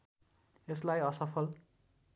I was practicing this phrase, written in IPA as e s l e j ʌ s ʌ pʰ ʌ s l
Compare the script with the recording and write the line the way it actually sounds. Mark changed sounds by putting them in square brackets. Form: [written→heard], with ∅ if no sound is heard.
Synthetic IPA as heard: e s l [e→a] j ʌ s ʌ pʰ ʌ [s→∅] l